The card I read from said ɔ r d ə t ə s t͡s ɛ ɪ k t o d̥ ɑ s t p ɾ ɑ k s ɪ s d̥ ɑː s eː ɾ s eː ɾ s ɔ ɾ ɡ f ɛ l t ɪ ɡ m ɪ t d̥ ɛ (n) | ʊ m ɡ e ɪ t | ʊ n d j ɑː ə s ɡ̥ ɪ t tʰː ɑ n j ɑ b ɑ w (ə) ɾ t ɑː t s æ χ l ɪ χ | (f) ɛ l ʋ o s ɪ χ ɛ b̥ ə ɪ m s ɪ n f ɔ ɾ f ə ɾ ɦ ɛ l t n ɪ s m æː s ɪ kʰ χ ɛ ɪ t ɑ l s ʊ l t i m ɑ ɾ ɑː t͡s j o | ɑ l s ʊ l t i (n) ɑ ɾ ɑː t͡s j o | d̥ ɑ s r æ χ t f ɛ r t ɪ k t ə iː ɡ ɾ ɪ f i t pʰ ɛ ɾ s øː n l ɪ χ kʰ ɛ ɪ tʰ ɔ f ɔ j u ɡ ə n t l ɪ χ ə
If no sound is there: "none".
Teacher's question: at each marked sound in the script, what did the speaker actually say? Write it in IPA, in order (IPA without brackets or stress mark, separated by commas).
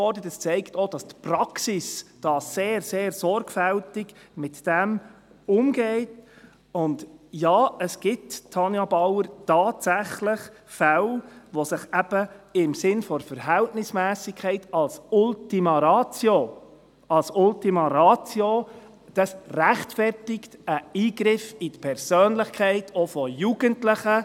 m, ə, f, m